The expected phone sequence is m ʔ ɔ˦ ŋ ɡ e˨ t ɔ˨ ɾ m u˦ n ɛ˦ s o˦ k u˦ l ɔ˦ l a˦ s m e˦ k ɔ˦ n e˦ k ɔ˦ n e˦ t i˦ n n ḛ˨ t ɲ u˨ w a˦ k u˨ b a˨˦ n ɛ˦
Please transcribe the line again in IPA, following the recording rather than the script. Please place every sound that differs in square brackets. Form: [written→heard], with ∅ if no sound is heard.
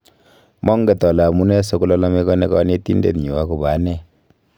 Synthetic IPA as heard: m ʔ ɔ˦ ŋ ɡ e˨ t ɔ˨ [ɾ→l] m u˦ n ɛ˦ s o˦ k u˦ l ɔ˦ l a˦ [s→∅] m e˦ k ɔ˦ n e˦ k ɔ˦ n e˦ t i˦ n [n→d] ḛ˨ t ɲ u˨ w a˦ k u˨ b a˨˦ n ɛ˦